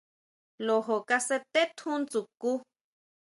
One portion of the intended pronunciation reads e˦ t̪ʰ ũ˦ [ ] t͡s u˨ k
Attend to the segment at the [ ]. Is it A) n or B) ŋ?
A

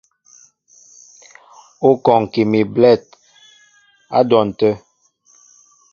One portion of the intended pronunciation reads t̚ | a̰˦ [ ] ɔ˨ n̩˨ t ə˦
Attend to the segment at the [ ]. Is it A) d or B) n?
A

